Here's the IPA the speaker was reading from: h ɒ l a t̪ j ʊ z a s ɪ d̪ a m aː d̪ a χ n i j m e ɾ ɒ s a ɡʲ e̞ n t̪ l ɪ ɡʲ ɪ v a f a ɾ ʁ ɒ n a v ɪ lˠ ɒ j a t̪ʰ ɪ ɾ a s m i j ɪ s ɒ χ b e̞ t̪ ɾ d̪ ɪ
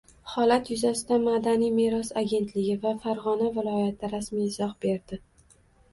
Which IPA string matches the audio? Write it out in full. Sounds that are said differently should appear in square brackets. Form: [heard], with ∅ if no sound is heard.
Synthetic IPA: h ɒ l a t̪ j ʊ z a s ɪ d̪ a m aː d̪ a [∅] n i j m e ɾ ɒ s a ɡʲ e̞ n t̪ l ɪ ɡʲ ɪ v a f a ɾ ʁ ɒ n a v ɪ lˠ ɒ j a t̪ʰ ɪ ɾ a s m i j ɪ [z] ɒ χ b e̞ [∅] ɾ d̪ ɪ